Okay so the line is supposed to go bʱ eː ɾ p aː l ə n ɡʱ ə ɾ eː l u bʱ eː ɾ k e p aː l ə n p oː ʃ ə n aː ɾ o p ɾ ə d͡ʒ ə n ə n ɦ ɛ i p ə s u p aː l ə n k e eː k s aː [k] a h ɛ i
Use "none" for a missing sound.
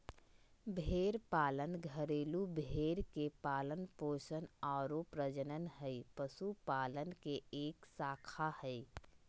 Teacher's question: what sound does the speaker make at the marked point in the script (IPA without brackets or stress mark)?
kʰ